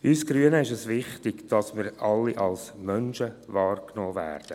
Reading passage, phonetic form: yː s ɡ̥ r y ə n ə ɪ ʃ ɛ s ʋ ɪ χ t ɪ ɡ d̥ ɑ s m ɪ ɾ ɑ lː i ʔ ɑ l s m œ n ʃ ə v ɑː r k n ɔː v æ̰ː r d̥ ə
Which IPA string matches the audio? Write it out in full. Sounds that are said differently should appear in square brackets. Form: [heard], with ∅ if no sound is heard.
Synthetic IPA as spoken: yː s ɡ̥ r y ə n ə ɪ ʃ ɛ s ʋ ɪ χ t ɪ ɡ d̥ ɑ s m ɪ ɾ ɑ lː i ʔ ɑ l s m œ n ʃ ə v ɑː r k n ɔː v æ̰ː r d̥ ə